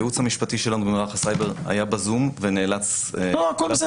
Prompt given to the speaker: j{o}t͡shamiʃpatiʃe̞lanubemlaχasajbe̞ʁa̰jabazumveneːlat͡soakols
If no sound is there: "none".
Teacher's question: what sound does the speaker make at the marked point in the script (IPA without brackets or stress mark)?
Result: u